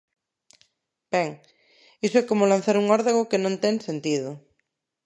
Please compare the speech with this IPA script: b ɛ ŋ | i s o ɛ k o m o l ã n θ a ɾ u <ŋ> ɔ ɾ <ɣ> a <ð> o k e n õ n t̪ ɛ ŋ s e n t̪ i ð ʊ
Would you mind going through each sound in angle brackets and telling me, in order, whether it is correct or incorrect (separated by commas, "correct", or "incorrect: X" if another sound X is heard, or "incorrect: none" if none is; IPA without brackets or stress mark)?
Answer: correct, incorrect: ð, incorrect: ɣ